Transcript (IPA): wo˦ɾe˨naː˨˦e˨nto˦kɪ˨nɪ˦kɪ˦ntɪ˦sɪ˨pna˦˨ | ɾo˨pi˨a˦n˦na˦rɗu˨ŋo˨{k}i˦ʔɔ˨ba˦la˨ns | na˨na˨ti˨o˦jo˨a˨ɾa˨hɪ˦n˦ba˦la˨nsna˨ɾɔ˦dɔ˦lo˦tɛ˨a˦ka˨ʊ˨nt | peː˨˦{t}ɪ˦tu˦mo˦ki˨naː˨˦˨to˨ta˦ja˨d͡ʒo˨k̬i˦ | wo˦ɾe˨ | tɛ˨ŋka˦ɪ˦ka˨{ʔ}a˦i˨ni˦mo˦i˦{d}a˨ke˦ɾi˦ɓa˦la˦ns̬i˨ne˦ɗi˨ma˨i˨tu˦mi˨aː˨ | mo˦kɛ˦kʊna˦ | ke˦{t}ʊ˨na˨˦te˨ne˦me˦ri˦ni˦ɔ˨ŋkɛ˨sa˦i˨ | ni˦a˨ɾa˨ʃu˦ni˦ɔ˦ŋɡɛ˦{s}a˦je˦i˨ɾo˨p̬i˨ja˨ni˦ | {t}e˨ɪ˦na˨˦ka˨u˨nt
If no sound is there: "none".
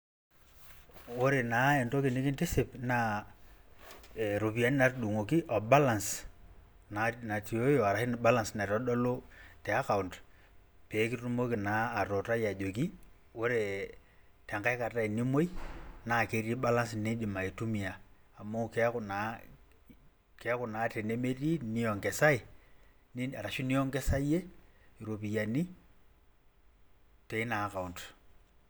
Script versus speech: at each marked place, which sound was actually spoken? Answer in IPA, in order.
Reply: k, k, t, n, k, s, t

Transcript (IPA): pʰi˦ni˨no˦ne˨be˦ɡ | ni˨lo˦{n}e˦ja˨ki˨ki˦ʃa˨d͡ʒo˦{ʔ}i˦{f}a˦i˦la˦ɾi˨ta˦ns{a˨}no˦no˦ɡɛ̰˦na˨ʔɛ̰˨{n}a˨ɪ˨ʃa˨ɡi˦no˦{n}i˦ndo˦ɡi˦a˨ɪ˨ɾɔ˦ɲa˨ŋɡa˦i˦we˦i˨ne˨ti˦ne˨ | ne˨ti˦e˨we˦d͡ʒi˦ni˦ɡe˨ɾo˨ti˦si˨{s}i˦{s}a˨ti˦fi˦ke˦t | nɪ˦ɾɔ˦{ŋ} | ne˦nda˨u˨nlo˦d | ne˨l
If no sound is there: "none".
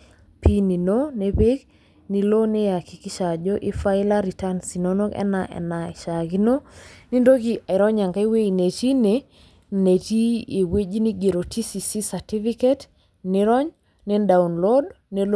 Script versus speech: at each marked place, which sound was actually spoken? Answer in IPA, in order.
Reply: n, ʔ, f, i˨, n, n, s, s, ɲ

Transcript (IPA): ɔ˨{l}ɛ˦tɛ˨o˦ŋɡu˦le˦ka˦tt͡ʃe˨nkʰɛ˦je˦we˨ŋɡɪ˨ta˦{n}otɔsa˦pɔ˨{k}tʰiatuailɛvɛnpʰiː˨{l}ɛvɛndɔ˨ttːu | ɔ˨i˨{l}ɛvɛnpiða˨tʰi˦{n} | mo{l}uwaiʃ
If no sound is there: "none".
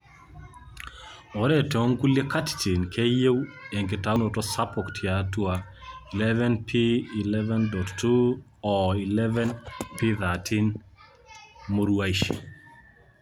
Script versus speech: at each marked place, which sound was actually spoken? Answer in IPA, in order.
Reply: ɾ, n, k, l, l, n, ɾ

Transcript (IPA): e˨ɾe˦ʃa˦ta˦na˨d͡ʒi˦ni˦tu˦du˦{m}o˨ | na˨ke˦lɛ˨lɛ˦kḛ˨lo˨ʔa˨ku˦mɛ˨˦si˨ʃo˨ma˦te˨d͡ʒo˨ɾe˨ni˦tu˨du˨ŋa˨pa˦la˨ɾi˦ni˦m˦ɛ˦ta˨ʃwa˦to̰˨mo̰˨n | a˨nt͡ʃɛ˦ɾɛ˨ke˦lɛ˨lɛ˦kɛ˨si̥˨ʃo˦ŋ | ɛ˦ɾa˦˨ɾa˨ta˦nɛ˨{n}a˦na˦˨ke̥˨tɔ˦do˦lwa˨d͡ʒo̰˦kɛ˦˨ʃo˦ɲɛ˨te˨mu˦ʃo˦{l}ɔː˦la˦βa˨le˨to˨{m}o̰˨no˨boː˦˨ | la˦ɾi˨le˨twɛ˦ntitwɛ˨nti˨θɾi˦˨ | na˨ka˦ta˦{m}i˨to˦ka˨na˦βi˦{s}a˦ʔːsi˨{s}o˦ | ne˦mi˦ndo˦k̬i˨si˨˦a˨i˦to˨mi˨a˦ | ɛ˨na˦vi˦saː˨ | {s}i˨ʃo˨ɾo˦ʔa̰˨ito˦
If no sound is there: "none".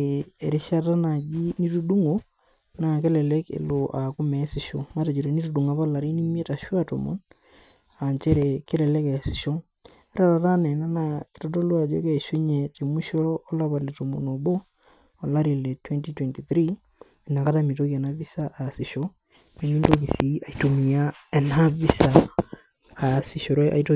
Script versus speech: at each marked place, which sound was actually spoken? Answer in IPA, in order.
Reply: ŋ, n, ɾ, m, m, s, ʃ, s

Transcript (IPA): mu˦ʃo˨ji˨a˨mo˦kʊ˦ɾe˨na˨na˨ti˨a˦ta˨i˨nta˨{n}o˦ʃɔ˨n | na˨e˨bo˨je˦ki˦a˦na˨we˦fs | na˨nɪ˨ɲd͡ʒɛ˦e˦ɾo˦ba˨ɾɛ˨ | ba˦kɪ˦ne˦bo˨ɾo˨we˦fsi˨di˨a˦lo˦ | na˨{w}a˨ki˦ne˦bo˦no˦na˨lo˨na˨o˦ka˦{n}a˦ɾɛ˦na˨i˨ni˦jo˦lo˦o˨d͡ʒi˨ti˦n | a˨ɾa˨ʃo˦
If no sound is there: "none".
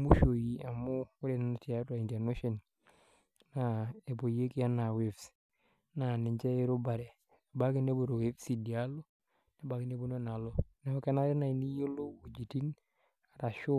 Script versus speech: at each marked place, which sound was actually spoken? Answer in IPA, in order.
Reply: n, b, n

